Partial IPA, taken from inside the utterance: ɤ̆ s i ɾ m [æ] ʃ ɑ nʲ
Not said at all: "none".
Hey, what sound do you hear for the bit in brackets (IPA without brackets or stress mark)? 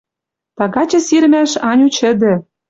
æ